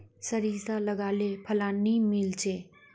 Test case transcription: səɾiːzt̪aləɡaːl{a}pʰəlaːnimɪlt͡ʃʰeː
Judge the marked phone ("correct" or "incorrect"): incorrect